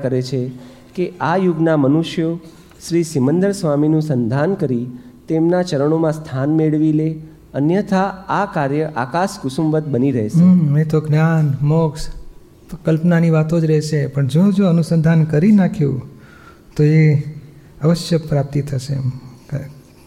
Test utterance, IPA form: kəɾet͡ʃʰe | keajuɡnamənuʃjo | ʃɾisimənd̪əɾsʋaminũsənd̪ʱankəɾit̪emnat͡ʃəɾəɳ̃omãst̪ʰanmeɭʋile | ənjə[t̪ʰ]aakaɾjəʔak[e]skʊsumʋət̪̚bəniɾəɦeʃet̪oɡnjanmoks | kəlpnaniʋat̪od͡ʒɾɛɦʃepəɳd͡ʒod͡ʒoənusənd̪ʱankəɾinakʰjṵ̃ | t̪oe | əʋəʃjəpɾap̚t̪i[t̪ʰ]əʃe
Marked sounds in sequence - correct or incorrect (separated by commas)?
correct, incorrect, correct